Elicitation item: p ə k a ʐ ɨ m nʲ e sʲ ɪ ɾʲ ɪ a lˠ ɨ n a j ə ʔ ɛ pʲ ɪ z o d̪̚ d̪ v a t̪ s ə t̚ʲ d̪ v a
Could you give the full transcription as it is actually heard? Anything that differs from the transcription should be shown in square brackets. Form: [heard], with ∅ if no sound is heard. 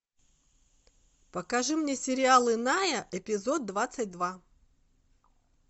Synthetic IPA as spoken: p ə k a ʐ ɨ m nʲ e sʲ ɪ ɾʲ ɪ a lˠ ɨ n a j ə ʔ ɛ pʲ ɪ z o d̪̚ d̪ v a t̪ s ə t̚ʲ d̪ v a